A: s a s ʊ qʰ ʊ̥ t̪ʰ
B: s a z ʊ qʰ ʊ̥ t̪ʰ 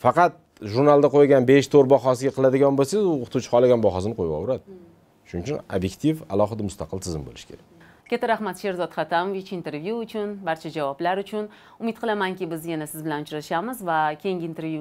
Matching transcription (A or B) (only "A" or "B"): B